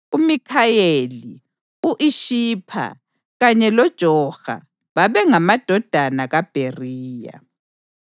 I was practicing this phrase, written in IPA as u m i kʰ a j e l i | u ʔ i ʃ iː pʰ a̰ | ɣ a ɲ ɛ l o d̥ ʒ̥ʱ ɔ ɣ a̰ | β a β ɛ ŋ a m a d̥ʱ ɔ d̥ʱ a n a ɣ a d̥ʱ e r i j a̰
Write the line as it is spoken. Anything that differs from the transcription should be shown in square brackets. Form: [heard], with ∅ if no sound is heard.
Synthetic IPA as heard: u m i kʰ a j e l i | u ʔ i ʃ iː pʰ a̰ | ɣ a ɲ ɛ l [ɔ] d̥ ʒ̥ʱ ɔ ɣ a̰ | β a β ɛ ŋ a m a d̥ʱ ɔ d̥ʱ a n a ɣ a [b̥ʱ] e r [iː] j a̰